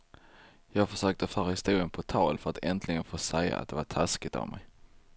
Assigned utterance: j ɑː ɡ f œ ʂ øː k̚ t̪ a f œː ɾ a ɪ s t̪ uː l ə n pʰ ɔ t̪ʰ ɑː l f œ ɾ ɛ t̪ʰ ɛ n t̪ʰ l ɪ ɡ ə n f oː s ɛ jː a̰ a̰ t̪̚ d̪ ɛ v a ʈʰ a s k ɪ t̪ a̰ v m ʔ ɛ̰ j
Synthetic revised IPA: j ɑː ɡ f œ ʂ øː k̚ t̪ ə f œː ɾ a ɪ s t̪ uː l ə n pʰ ɔ t̪ʰ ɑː l f œ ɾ a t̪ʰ ɛ n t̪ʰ l ɪ ɡ ə n f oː s ɛ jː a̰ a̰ t̪̚ d̪ ɛ v a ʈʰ a s k ɪ t̪ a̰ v m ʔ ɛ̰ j